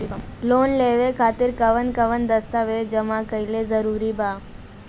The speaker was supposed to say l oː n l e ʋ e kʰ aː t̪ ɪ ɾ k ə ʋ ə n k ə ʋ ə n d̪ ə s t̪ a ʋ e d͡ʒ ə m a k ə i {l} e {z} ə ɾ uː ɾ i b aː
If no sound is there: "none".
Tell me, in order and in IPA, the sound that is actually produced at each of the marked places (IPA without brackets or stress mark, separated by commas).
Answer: l, z